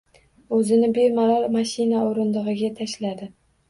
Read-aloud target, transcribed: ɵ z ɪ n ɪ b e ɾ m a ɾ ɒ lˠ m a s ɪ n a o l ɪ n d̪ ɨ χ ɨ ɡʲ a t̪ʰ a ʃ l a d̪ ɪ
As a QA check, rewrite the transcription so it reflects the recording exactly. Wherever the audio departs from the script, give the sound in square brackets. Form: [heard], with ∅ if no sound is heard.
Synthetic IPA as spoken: ɵ z ɪ n ɪ b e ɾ m a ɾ ɒ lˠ m a [ʃ] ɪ n a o [ɾ] ɪ n d̪ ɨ [ʁ] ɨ ɡʲ a t̪ʰ a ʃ l a d̪ ɪ

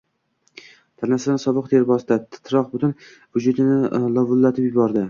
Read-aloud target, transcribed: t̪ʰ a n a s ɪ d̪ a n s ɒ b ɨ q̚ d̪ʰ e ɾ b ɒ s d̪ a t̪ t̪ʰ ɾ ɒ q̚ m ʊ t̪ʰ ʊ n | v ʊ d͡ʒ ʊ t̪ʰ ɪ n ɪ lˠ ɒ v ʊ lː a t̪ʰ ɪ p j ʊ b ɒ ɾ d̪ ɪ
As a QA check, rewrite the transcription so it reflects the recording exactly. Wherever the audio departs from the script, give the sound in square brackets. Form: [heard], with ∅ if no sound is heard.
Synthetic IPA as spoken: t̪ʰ a n a s ɪ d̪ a n s ɒ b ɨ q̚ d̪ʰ e ɾ b ɒ s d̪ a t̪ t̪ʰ ɾ ɒ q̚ [b] ʊ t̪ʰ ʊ n | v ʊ d͡ʒ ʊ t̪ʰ ɪ n ɪ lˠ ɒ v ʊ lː a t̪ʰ ɪ p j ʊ b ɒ ɾ d̪ ɪ

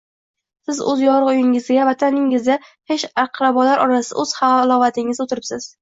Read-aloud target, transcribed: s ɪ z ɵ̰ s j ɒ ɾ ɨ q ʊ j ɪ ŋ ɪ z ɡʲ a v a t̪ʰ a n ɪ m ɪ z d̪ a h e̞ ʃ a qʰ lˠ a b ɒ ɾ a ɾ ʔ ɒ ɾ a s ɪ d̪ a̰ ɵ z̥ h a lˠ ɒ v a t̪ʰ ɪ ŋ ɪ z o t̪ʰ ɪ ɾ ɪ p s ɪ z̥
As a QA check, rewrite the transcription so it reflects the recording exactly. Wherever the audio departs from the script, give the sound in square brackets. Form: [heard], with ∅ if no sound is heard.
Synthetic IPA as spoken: s ɪ z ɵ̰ [z] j ɒ ɾ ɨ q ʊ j ɪ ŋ ɪ z ɡʲ a v a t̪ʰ a n ɪ [ŋ] ɪ z d̪ a h e̞ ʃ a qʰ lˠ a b ɒ [l] a ɾ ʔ ɒ ɾ a s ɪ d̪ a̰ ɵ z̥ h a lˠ ɒ v a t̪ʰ ɪ ŋ ɪ z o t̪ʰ ɪ ɾ ɪ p s ɪ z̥

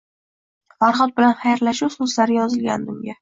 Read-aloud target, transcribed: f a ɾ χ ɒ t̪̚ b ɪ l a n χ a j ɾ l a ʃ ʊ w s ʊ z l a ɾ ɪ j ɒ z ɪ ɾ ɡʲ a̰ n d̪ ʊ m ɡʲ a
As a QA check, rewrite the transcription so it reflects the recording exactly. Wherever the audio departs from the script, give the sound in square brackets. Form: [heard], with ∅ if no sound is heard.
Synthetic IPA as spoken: f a ɾ χ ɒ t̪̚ b ɪ l a n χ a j ɾ l a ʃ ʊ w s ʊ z l a ɾ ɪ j ɒ z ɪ [l] ɡʲ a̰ n d̪ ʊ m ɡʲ a

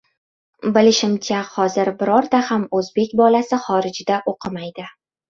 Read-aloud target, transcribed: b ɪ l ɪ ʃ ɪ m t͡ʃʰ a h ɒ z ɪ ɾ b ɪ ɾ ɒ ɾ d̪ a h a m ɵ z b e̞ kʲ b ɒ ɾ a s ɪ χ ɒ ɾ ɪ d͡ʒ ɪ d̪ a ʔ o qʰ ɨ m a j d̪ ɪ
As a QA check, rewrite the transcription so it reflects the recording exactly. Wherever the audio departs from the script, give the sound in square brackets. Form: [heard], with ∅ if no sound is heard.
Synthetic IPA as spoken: b ɪ l ɪ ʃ ɪ m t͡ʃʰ a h ɒ z ɪ ɾ b ɪ ɾ ɒ ɾ d̪ a h a m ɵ z b e̞ kʲ b ɒ [l] a s ɪ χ ɒ ɾ ɪ d͡ʒ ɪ d̪ a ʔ o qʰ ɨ m a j d̪ ɪ

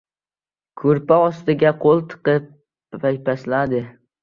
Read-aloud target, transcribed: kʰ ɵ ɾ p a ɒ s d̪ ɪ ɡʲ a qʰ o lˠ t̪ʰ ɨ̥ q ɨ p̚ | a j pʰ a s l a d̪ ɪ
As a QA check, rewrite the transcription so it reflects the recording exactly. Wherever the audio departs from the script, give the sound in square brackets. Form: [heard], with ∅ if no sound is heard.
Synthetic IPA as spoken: kʰ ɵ ɾ p a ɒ s [t̪] ɪ ɡʲ a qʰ o lˠ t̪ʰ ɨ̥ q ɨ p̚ | a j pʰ a s l a d̪ ɪ

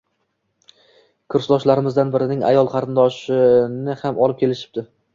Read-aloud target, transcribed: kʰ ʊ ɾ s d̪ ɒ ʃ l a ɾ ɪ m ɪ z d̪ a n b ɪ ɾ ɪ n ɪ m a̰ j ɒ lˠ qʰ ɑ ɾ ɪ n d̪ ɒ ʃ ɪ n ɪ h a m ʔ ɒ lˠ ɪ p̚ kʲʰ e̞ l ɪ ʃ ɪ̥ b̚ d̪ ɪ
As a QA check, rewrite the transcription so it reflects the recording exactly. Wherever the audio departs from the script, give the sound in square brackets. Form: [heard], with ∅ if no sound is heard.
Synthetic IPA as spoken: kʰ ʊ ɾ s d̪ ɒ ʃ l a ɾ ɪ m ɪ z d̪ a n b ɪ ɾ ɪ n ɪ [ŋ] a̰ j ɒ lˠ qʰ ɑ ɾ ɪ n d̪ ɒ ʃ ɪ n ɪ h a m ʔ ɒ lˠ ɪ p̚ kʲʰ e̞ l ɪ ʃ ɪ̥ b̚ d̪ ɪ

